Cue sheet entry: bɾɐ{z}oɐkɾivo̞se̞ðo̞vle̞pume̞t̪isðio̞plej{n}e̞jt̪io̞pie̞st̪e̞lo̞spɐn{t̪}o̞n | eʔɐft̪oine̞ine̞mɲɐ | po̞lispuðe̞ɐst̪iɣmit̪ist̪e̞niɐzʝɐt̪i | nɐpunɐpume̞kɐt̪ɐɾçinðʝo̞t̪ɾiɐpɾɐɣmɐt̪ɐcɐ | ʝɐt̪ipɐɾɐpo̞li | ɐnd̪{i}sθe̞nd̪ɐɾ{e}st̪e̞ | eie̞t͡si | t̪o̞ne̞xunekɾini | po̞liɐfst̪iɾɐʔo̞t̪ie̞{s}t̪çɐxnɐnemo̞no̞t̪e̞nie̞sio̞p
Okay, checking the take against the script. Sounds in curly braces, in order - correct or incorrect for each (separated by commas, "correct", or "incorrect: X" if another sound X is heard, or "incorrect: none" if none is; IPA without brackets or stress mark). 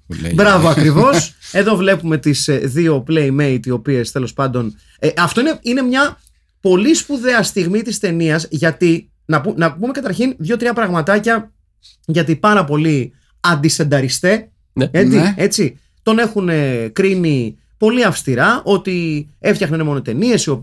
incorrect: v, incorrect: m, incorrect: d̪, correct, incorrect: i, incorrect: f